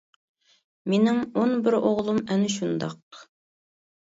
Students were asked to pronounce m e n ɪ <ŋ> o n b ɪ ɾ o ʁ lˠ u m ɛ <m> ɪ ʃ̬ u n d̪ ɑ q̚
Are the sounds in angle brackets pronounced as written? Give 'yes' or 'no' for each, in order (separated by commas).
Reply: yes, no